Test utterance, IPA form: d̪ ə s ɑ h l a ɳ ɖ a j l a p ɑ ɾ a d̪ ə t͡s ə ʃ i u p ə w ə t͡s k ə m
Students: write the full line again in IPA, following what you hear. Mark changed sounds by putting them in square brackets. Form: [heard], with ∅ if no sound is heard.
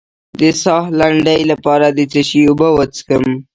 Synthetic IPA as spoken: d̪ ə s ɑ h l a ɳ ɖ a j l a p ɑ ɾ a d̪ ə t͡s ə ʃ i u [b] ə w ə t͡s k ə m